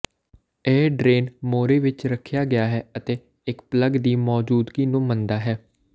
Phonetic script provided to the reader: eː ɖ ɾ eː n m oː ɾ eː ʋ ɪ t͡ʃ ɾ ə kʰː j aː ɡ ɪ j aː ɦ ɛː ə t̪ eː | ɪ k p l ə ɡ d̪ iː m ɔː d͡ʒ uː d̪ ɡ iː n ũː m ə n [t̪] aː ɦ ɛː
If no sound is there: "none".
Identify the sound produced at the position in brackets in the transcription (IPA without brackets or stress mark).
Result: d̪